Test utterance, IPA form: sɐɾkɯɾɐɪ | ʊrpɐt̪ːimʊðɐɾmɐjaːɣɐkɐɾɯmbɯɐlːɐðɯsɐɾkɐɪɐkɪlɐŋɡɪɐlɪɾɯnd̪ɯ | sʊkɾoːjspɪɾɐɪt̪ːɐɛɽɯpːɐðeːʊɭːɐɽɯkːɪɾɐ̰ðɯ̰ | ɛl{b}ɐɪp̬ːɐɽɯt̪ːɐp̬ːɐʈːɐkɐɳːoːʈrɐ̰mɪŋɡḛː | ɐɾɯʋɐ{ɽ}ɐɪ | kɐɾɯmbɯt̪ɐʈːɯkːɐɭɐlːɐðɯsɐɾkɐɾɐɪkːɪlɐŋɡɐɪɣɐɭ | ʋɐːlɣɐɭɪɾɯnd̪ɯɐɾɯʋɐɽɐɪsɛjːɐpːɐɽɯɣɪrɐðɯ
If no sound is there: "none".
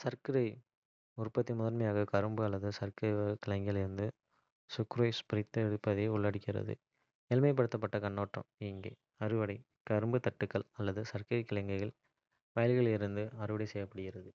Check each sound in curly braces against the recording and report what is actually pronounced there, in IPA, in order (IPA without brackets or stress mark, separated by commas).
m, ɽ